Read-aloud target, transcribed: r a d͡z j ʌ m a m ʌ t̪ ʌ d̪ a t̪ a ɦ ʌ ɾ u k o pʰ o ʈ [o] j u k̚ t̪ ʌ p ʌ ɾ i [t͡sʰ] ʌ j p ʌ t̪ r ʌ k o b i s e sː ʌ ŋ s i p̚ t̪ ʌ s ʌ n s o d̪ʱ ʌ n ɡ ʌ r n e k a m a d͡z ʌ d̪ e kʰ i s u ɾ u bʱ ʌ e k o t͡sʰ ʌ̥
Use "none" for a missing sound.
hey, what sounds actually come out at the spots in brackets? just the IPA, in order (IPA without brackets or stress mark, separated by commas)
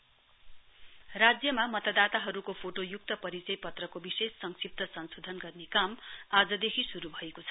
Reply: o, t͡s